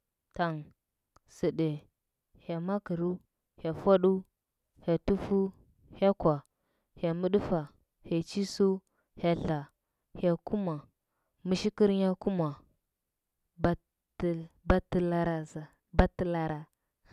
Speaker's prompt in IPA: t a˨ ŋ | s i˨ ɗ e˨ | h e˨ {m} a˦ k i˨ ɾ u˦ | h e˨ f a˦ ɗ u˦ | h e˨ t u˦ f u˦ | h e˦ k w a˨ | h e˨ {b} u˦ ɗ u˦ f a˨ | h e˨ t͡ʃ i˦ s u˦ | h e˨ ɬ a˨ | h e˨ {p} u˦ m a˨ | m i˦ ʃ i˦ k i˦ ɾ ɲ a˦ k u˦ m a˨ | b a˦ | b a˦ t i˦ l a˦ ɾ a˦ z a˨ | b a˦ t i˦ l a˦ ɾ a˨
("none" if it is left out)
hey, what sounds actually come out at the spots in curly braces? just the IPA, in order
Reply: m, m, k

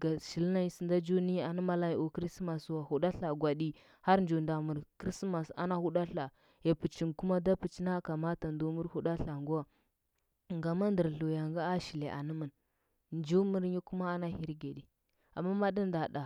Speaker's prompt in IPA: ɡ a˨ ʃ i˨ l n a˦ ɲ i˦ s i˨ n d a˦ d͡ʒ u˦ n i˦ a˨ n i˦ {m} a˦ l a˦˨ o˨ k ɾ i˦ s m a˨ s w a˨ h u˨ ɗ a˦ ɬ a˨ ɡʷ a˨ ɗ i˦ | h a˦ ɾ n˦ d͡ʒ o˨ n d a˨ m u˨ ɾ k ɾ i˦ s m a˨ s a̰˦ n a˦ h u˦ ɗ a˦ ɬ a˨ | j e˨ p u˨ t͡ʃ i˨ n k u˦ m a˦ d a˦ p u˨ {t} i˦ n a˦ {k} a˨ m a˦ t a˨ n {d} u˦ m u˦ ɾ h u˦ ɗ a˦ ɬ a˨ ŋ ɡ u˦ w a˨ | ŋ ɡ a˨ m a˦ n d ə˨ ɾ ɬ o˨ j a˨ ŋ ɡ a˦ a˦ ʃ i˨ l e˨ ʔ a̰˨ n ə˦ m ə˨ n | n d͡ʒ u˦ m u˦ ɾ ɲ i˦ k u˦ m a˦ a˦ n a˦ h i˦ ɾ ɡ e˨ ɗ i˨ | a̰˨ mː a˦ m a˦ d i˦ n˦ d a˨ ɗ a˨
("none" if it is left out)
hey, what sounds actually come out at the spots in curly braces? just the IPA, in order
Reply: m, t͡ʃ, k, d

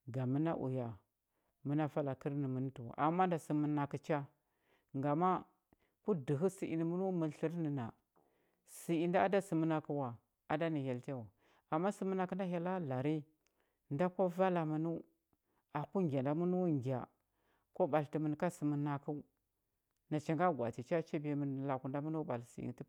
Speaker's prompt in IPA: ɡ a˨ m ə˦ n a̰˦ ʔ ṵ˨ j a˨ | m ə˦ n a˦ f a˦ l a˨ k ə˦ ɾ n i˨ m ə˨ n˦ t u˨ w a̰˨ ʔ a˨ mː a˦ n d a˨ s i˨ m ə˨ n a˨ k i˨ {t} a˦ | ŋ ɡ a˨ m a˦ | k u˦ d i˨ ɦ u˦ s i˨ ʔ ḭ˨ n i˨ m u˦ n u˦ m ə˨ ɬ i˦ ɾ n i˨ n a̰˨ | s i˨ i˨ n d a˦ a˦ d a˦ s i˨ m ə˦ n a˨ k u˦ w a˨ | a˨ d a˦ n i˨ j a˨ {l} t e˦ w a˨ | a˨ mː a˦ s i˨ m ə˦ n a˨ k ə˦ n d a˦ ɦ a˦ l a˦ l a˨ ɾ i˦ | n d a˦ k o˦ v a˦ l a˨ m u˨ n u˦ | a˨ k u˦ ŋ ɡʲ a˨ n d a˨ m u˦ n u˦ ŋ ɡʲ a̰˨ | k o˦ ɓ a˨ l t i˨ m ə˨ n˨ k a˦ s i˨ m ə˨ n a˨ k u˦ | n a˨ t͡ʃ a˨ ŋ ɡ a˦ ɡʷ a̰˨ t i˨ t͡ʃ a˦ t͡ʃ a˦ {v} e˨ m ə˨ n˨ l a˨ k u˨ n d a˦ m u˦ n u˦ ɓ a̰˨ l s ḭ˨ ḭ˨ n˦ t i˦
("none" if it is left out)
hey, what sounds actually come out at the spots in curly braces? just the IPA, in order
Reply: t͡ʃ, l, b

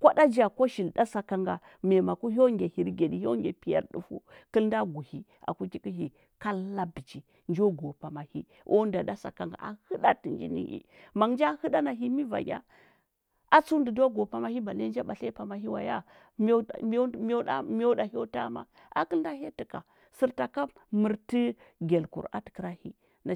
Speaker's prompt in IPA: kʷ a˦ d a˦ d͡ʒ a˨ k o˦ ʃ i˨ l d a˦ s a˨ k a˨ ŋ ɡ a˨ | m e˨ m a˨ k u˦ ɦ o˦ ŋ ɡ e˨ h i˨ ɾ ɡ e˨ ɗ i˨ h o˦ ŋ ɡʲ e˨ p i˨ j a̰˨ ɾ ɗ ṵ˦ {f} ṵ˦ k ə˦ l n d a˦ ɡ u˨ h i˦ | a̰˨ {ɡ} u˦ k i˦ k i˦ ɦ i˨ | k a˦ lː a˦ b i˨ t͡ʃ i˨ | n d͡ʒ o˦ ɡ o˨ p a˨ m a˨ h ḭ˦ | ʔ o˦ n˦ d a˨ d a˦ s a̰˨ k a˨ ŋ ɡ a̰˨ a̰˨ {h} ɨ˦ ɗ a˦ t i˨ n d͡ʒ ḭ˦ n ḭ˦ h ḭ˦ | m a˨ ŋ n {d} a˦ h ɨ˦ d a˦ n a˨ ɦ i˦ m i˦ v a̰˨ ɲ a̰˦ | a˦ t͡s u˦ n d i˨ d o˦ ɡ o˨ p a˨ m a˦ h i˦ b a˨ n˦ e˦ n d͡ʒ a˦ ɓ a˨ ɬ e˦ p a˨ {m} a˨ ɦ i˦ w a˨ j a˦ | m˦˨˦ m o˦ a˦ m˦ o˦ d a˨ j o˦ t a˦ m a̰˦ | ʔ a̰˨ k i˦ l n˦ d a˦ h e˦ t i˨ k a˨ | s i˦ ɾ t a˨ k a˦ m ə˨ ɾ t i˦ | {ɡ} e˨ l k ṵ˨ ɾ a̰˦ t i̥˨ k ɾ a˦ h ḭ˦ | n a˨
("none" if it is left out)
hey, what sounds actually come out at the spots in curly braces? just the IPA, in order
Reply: f, k, h, d͡ʒ, m, ɡ

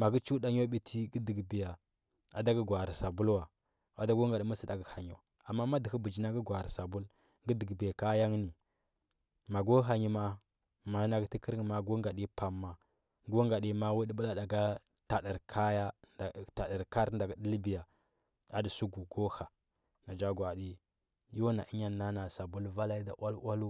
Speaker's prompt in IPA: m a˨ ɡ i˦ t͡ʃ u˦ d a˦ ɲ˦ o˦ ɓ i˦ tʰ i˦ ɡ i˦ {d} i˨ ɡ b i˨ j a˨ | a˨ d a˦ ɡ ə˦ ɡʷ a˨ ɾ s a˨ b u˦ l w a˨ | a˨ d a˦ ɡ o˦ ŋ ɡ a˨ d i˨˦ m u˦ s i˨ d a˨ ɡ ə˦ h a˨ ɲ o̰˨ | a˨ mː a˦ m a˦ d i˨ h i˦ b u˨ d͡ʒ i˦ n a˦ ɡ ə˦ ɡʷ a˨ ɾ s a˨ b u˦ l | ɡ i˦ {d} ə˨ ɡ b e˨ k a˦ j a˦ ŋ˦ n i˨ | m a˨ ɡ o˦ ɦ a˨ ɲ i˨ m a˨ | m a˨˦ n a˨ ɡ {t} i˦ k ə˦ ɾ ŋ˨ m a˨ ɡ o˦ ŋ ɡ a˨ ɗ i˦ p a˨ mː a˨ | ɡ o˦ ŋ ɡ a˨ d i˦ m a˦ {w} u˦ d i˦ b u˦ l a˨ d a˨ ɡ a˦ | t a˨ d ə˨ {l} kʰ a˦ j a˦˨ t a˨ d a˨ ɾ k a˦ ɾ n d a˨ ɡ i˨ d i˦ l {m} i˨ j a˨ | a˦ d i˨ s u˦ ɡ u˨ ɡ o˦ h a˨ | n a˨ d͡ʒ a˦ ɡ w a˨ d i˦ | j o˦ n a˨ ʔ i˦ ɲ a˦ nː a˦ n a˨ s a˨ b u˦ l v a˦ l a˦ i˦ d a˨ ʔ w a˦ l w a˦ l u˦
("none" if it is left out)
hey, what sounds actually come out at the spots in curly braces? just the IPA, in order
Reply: d, d, t, w, ɾ, b

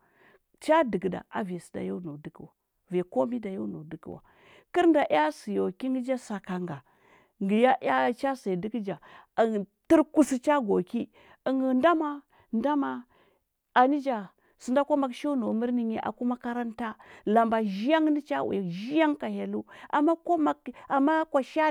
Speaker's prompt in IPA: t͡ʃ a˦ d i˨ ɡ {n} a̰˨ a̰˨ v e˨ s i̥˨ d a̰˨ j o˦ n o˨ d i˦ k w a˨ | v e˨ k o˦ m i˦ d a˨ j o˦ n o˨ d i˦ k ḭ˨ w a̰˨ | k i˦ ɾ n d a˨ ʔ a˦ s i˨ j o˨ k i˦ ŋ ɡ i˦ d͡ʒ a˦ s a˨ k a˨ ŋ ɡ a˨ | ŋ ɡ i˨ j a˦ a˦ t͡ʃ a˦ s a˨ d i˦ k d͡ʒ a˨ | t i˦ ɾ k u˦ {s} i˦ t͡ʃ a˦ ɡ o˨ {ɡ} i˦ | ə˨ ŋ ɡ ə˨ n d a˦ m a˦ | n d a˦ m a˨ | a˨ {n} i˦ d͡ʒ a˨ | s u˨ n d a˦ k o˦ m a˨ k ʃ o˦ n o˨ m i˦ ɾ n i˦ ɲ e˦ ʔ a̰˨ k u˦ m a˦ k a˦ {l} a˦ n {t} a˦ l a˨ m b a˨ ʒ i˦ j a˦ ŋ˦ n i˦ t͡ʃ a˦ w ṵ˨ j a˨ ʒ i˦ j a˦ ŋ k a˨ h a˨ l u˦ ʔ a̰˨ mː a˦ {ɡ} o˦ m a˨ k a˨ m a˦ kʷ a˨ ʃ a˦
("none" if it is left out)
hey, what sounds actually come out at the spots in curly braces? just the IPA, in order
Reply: d, s, k, n, ɾ, t, k

